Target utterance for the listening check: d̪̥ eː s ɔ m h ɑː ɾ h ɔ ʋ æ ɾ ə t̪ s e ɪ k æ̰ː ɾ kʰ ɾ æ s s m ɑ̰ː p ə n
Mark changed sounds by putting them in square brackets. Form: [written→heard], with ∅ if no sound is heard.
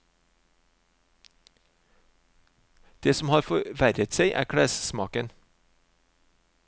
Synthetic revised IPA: d̪̥ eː s ɔ m h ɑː ɾ [h→f] ɔ ʋ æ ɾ ə t̪ s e ɪ [k→ʔ] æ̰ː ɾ kʰ [ɾ→ɽ] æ s s m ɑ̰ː [p→k] ə n